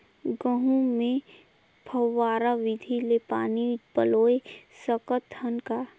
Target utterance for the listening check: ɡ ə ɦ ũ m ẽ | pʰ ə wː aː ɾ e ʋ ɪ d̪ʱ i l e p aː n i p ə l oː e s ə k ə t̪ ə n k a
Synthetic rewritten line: ɡ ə ɦ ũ m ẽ | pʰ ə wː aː ɾ a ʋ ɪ d̪ʱ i l e p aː n i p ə l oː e s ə k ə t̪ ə n k a